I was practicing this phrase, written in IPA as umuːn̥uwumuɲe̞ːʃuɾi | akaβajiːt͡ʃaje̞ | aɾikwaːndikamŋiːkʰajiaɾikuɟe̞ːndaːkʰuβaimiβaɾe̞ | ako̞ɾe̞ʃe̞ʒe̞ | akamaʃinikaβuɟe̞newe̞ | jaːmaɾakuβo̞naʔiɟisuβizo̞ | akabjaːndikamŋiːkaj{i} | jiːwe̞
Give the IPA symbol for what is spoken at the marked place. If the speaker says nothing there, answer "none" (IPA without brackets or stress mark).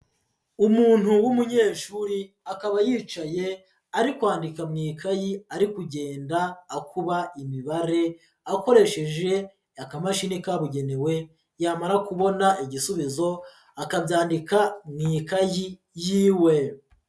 i